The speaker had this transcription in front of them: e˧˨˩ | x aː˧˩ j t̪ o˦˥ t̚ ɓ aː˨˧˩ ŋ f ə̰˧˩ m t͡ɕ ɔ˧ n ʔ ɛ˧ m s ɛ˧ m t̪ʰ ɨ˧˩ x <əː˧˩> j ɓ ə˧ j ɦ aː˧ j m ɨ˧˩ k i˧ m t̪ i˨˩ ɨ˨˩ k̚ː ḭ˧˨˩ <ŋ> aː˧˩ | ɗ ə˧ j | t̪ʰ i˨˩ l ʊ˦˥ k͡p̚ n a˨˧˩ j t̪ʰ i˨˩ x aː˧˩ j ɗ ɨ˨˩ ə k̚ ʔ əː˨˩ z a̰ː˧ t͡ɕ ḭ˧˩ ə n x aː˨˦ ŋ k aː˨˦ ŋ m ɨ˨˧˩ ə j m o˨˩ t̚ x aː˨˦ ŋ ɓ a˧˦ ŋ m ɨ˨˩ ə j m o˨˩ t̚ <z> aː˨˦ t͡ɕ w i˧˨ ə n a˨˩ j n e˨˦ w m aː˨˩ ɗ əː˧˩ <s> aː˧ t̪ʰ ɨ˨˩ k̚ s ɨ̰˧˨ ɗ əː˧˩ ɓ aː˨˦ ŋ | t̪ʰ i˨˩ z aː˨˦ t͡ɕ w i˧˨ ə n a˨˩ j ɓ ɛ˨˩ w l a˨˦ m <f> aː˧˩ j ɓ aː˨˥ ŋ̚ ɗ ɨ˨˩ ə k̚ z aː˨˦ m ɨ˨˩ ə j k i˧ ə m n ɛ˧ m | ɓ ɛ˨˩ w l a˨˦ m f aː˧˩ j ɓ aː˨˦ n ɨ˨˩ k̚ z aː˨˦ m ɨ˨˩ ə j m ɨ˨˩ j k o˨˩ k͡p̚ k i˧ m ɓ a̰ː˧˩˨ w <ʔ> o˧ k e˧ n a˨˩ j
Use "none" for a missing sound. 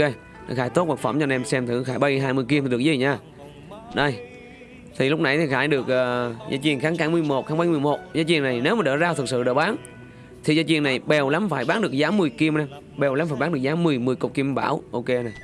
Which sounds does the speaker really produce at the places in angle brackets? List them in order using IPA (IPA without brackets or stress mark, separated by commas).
aː˧˩, ɲ, z, z, f, ʔ